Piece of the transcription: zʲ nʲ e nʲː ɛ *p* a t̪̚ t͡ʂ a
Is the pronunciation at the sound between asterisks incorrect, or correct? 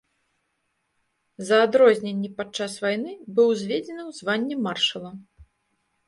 correct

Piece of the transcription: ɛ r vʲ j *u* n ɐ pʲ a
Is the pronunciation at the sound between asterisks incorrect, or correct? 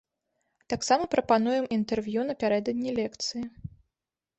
correct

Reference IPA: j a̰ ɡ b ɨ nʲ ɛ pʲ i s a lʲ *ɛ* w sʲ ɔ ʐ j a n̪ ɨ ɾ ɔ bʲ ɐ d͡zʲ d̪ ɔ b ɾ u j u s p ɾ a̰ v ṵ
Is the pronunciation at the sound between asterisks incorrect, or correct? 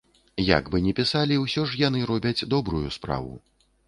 incorrect: i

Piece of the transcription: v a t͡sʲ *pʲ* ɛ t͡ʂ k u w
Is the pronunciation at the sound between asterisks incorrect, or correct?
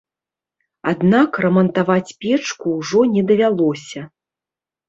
correct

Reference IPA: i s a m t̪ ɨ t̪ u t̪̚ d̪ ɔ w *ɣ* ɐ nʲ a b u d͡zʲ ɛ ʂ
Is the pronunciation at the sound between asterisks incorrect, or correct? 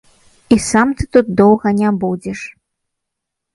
correct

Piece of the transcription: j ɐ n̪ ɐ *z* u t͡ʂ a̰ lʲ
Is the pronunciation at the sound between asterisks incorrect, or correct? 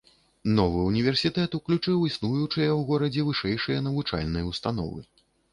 incorrect: v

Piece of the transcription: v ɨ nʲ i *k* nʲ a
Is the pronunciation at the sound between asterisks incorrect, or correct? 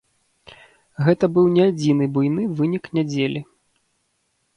correct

